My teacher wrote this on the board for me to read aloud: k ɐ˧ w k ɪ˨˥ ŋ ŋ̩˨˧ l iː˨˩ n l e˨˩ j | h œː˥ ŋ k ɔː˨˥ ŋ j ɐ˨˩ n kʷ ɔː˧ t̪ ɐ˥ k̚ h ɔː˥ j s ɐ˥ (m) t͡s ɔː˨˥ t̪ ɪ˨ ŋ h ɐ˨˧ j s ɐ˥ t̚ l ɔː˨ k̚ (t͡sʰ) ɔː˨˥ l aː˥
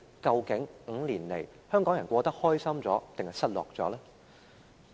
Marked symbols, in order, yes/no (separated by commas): yes, no